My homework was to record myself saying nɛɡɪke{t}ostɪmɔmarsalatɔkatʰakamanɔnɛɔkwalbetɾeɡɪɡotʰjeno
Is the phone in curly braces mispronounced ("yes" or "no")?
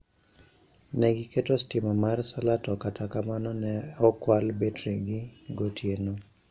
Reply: no